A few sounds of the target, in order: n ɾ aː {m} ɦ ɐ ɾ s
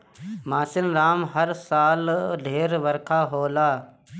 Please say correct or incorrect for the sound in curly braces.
correct